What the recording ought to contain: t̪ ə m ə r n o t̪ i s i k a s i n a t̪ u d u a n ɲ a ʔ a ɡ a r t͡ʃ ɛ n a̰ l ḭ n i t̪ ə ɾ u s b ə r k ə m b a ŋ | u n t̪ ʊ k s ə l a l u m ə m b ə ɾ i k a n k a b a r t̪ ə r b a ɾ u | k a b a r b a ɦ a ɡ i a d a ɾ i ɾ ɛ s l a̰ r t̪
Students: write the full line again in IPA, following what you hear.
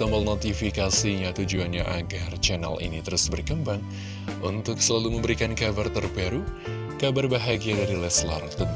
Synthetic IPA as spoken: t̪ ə m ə l n o t̪ i f i k a s i ɲ a t̪ u d͡ʒ u a n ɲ a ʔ a ɡ a r t͡ʃ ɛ n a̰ l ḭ n i t̪ ə ɾ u s b ə r k ə m b a ŋ | u n t̪ ʊ k s ə l a l u m ə m b ə ɾ i k a n k a b a r t̪ ə r b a ɾ u | k a b a r b a ɦ a ɡ i a d a ɾ i l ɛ s l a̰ r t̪